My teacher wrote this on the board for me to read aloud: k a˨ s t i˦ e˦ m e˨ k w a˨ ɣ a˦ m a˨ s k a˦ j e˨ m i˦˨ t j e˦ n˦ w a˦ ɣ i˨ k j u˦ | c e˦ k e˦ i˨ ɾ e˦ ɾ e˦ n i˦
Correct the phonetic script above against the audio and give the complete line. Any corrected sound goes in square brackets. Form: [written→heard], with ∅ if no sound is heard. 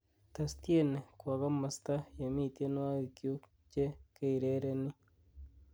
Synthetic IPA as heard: [k→t] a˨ s t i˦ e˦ [m→n] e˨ k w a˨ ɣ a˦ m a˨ s [k→t] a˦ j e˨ m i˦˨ t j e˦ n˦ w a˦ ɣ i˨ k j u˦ | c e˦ k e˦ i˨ ɾ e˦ ɾ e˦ n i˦